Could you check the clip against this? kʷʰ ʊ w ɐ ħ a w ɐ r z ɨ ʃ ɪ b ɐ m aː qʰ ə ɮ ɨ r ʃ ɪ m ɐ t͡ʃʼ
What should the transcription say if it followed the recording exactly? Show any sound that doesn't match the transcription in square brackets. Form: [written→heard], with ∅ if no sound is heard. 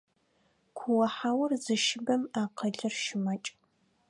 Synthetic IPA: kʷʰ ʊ w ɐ ħ a w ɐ r z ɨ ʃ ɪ b ɐ m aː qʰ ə ɮ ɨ r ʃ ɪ m ɐ t͡ʃʼ